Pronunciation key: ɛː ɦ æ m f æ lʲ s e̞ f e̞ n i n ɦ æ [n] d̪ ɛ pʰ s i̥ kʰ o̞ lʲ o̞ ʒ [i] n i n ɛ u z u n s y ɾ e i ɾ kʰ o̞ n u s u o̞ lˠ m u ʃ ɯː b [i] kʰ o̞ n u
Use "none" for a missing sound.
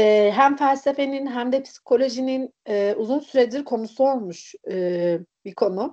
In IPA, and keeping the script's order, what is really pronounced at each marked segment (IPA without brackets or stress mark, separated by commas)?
m, i, i